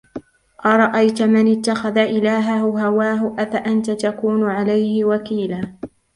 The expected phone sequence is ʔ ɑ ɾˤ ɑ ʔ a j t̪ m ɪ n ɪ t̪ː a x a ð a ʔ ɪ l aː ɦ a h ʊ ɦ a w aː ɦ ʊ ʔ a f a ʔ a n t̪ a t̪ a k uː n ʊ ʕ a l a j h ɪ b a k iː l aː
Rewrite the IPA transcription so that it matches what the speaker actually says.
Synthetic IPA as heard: ʔ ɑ ɾˤ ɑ ʔ a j t̪ m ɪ n ɪ t̪ː a x a ð a ʔ ɪ l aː ɦ a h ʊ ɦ a w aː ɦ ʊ ʔ a f a ʔ a n t̪ a t̪ a k uː n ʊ ʕ a l a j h ɪ w a k iː l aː